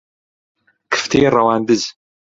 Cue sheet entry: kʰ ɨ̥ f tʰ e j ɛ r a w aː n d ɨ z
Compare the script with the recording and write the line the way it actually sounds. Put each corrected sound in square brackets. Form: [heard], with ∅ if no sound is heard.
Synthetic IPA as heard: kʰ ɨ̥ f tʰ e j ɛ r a w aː n d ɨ z